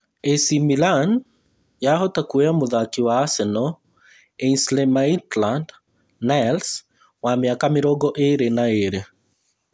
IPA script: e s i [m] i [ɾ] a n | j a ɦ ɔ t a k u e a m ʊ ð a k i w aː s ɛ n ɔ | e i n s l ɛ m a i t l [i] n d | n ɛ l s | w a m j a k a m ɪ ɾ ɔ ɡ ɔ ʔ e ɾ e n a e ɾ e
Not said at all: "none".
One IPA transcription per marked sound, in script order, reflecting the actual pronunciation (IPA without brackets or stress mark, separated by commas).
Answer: m, l, a